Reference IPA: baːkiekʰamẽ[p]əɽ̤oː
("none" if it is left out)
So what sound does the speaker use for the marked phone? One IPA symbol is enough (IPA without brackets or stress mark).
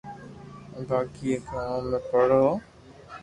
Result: p